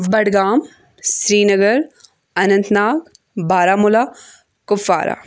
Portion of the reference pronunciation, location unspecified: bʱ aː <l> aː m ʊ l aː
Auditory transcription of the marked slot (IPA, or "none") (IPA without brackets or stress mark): ɾ